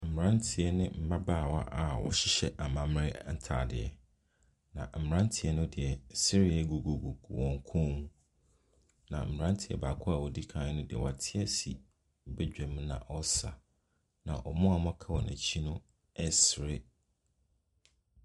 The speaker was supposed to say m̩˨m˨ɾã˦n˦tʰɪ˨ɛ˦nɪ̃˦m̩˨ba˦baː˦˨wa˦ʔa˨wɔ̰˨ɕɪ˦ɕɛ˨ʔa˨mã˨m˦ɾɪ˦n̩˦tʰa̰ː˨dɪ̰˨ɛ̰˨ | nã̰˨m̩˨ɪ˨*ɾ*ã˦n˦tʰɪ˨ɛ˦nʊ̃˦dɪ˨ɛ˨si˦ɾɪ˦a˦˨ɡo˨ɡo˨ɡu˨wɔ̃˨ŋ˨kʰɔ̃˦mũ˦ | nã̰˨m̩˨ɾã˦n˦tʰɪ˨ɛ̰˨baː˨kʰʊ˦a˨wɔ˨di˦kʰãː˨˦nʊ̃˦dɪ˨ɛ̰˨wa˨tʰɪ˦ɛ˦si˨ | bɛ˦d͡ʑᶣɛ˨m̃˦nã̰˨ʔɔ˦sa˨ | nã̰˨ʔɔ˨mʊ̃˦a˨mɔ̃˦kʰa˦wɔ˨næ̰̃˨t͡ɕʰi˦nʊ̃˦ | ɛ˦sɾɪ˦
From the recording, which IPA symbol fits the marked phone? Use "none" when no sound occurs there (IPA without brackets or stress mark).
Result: ɾ